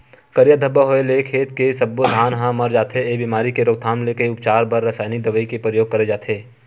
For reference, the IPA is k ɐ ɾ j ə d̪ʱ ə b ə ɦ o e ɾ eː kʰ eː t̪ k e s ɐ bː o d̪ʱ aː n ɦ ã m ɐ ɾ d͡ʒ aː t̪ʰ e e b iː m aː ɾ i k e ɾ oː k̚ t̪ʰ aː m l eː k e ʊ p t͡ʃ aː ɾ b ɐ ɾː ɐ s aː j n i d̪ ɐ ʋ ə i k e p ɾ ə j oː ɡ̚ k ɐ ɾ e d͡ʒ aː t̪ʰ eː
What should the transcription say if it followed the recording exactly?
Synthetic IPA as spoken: k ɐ ɾ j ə d̪ʱ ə b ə ɦ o e l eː kʰ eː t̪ k e s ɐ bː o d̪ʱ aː n ɦ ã m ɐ ɾ d͡ʒ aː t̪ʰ e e b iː m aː ɾ i k e ɾ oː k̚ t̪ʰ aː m l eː k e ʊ p t͡ʃ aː ɾ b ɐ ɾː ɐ s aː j n i d̪ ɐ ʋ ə i k e p ɾ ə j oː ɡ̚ k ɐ ɾ e d͡ʒ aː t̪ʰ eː